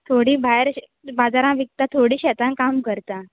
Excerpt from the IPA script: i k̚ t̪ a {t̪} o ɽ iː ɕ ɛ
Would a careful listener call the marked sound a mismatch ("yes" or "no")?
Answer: yes